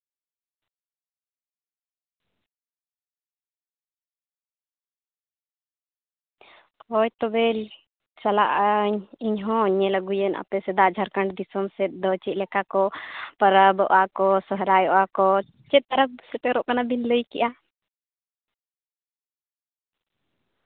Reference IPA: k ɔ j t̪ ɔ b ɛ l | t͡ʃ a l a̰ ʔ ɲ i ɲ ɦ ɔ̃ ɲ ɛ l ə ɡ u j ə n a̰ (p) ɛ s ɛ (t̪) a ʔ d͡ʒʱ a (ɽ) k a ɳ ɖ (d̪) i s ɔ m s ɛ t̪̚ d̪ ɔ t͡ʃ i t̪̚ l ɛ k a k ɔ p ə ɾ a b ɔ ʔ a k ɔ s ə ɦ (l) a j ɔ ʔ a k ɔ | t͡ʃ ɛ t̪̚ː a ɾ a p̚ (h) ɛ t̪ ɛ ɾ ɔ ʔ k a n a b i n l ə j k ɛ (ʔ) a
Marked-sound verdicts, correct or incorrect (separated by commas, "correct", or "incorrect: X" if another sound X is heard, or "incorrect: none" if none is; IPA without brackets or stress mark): correct, incorrect: d̪, incorrect: ɾ, correct, incorrect: ɾ, incorrect: s, correct